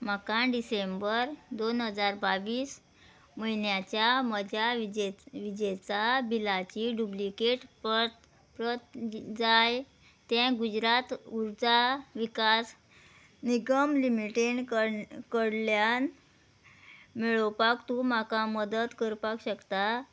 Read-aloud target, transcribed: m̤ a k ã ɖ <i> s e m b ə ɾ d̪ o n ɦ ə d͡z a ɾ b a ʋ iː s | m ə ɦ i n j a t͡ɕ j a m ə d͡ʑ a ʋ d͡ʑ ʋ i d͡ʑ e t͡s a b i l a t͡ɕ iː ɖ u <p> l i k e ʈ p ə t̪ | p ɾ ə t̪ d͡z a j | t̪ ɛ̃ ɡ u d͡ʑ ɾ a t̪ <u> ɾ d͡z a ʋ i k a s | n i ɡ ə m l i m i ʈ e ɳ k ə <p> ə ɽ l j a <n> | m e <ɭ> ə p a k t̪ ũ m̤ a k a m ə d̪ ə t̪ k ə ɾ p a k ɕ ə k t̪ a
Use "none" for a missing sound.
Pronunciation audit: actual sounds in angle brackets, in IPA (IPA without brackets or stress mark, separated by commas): i, b, u, k, n, ɭ